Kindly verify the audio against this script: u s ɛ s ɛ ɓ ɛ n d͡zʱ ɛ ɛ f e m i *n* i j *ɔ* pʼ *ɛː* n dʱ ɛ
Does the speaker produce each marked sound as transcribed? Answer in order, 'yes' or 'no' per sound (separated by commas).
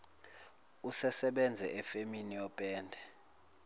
yes, yes, yes